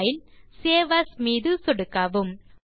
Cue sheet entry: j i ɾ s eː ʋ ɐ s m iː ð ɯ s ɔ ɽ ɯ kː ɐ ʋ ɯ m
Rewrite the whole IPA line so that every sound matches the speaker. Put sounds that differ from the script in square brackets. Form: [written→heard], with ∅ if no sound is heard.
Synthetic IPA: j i [ɾ→l] s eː ʋ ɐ s m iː ð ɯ s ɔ ɽ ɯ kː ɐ ʋ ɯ m